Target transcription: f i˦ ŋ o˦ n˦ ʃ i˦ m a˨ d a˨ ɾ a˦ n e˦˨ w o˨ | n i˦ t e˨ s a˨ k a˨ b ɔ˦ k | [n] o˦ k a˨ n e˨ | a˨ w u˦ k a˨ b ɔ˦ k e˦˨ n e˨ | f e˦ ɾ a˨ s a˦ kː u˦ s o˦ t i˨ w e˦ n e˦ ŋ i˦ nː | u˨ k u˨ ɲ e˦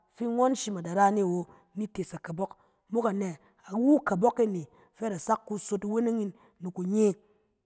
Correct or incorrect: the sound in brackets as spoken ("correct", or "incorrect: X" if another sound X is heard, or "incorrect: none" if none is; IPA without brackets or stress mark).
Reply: incorrect: m